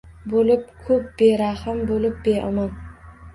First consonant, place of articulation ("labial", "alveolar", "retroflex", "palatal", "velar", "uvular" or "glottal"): labial